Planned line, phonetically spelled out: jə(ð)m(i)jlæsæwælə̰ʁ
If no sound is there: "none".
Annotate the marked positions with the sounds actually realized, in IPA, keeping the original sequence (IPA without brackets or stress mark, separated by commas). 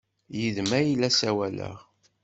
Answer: ð, æ